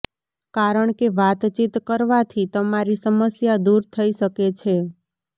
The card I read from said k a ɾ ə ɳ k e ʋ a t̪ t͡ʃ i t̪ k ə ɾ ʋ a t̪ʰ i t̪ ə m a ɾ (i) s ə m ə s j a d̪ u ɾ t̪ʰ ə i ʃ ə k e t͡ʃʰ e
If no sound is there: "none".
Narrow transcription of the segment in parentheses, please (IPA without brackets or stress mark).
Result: i